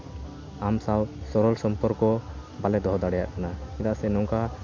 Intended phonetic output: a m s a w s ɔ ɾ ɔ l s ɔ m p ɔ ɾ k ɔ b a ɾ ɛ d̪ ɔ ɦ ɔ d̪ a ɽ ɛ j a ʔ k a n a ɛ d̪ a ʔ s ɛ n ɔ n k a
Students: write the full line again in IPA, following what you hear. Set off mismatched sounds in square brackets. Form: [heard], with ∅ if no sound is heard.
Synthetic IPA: a m s a w s ɔ ɾ ɔ l s ɔ m p ɔ ɾ k ɔ b a [l] ɛ d̪ ɔ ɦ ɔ d̪ a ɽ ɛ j a ʔ k a n a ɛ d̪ a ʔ s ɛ n ɔ [ŋ] k a